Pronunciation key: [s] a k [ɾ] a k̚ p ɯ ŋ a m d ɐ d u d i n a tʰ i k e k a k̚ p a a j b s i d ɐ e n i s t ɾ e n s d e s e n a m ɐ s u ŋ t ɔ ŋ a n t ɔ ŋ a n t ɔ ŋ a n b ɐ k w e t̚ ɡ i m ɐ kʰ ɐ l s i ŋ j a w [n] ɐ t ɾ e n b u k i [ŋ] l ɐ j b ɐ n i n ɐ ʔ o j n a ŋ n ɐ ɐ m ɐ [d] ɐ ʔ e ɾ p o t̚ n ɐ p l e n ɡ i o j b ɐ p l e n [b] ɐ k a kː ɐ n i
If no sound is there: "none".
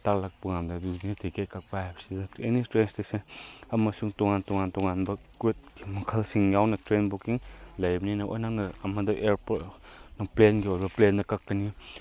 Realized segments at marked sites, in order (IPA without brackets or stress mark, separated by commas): t, l, n, ŋ, d, d